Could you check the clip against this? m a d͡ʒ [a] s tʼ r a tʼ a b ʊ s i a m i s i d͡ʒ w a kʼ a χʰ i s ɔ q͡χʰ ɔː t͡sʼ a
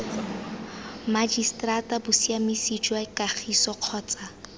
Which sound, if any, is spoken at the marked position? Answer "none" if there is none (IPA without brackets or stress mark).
i